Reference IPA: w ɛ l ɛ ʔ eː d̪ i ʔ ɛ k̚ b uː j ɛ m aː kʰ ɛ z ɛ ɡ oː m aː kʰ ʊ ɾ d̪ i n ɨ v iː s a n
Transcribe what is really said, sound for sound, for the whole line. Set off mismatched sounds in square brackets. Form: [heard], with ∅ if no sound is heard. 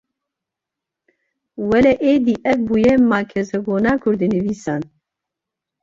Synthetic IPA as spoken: w ɛ l ɛ ʔ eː d̪ i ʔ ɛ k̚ b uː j ɛ m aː kʰ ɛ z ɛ ɡ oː [n] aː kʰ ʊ ɾ d̪ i n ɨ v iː s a n